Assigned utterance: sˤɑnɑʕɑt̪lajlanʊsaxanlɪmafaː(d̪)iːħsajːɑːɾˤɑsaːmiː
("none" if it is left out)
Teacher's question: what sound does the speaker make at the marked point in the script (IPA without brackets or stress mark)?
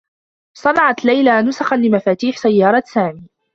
t̪